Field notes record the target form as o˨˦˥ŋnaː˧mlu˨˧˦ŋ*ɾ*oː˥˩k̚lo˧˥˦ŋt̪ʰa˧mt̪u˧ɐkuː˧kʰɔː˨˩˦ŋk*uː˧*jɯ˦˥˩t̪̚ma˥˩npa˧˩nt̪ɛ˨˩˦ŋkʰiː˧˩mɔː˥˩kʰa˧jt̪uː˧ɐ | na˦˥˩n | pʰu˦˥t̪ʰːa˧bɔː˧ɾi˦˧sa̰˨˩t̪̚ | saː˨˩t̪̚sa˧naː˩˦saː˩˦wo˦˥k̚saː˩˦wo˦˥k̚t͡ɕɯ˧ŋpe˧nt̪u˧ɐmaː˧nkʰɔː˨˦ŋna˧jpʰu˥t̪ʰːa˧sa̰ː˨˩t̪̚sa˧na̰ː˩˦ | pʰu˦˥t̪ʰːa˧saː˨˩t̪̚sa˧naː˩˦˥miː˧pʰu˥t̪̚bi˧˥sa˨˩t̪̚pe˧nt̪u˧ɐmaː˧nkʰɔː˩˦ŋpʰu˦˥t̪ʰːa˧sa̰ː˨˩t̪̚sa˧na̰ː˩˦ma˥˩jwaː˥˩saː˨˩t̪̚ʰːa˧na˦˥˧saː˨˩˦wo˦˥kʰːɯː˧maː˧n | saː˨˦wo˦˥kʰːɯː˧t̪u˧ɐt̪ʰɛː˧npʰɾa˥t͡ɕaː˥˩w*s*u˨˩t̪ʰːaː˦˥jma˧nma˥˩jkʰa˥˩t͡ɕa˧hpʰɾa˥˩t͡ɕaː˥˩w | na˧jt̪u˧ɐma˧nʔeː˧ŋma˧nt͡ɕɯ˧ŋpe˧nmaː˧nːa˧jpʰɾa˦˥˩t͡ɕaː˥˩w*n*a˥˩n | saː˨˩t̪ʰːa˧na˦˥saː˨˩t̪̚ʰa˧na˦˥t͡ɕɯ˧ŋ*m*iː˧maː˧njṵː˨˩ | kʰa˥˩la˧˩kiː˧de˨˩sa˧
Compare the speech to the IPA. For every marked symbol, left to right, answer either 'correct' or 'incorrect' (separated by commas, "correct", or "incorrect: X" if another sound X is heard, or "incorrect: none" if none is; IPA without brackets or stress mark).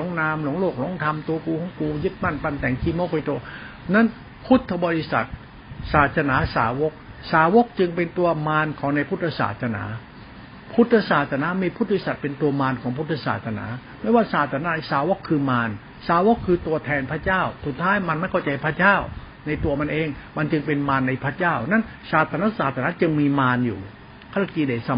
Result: incorrect: l, correct, correct, correct, correct